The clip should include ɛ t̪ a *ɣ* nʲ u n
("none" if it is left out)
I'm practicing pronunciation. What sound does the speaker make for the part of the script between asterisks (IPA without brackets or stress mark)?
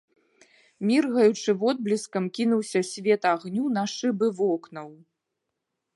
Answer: ɣ